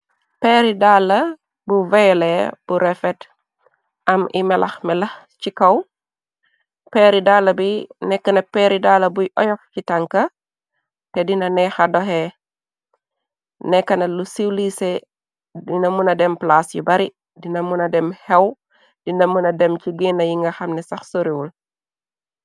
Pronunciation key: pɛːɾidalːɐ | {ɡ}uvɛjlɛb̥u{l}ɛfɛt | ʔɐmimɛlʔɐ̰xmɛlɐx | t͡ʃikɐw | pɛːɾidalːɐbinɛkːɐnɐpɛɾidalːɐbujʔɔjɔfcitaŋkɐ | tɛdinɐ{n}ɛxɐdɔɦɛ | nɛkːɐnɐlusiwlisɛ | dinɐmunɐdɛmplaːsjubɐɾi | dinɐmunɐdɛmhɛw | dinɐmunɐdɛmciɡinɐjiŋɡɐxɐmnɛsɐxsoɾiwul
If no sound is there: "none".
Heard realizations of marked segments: b, ɾ, n

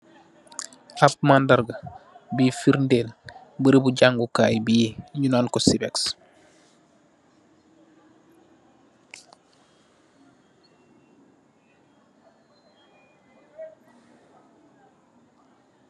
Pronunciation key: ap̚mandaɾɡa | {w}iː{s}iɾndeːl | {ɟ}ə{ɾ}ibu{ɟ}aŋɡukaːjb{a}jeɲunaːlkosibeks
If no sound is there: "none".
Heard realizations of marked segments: b, f, b, ɾ, ɟ, i

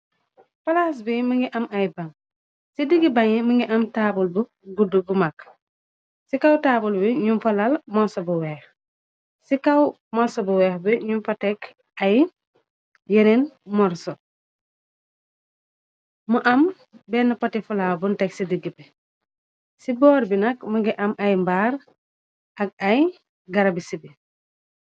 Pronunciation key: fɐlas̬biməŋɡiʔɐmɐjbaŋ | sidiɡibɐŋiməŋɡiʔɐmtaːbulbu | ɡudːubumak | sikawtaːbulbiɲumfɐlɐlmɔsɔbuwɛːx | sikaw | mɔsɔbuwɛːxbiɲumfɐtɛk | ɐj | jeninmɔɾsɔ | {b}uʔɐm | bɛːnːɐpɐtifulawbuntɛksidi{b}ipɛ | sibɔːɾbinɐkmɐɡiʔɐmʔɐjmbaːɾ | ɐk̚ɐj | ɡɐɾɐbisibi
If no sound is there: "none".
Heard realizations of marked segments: m, ɡ

